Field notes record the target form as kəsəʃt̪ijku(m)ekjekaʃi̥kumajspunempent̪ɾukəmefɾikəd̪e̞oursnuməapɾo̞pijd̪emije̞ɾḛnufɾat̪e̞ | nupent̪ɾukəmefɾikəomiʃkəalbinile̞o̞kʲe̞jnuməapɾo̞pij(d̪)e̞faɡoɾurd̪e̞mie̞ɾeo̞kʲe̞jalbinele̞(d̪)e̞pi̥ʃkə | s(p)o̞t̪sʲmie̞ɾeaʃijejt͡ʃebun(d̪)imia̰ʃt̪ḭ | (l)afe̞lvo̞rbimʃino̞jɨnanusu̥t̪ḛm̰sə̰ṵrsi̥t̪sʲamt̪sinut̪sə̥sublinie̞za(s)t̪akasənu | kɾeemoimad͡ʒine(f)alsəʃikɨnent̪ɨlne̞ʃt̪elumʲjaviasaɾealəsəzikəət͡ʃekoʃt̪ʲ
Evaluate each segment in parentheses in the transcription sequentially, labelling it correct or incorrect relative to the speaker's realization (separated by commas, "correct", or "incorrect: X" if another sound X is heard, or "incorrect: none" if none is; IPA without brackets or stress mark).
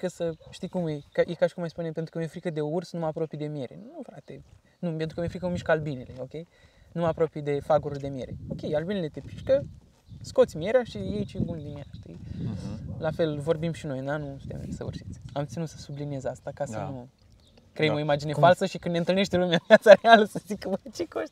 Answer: correct, correct, incorrect: t̪, incorrect: k, correct, correct, correct, correct